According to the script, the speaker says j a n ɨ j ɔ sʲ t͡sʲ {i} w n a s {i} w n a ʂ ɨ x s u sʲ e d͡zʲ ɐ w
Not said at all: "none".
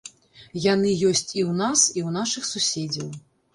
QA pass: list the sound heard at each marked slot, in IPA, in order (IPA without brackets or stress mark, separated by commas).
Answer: i, i